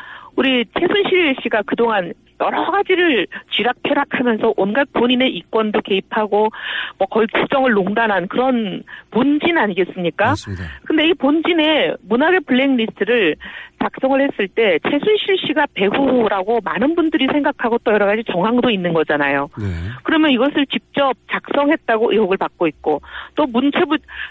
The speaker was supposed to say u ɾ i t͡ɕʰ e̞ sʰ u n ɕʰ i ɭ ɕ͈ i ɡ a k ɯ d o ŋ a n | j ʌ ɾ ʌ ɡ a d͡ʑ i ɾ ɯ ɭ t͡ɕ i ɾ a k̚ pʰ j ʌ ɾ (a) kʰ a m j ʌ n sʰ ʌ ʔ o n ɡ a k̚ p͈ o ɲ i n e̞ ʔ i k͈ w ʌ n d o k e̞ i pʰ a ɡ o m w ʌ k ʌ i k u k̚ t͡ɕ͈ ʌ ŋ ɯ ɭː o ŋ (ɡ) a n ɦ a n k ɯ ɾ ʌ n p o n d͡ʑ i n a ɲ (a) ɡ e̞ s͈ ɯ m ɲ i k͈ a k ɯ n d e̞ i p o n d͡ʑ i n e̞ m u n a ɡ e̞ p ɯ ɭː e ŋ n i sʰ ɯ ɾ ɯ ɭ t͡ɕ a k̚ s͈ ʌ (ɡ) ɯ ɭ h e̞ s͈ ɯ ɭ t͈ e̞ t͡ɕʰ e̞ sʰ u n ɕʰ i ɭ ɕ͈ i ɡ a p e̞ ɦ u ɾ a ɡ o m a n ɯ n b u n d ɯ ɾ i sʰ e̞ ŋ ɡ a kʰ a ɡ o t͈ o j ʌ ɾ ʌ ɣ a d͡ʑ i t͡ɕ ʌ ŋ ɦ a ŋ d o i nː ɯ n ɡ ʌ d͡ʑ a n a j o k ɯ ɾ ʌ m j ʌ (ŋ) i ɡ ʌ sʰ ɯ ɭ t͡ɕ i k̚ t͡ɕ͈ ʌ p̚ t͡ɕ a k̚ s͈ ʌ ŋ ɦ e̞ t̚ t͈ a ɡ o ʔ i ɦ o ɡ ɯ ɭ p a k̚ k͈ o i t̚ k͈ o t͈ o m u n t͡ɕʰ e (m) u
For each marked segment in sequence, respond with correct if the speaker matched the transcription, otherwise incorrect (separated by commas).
correct, incorrect, incorrect, incorrect, incorrect, incorrect